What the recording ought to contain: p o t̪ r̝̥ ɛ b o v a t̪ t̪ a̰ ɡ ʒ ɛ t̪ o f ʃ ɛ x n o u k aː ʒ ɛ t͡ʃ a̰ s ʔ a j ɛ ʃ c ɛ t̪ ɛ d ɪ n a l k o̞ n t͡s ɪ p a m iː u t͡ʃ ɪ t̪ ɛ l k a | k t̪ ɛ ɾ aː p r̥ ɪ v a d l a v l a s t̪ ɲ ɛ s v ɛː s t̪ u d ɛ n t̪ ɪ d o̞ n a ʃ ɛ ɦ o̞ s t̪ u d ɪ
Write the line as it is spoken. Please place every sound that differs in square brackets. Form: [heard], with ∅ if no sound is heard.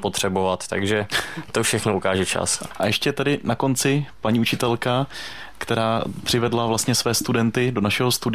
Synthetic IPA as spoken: p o t̪ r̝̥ ɛ b o v a t̪ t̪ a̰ ɡ ʒ ɛ t̪ o f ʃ ɛ x n o u k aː ʒ ɛ t͡ʃ a̰ s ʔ a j ɛ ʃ c ɛ t̪ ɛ d ɪ n a [∅] k o̞ n t͡s ɪ p a [ɲ] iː u t͡ʃ ɪ t̪ ɛ l k a | k t̪ ɛ ɾ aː p r̥ ɪ v [ɛ] d l a v l a s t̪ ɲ ɛ s v ɛː s t̪ u d ɛ n t̪ ɪ d o̞ n a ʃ ɛ ɦ o̞ s t̪ u d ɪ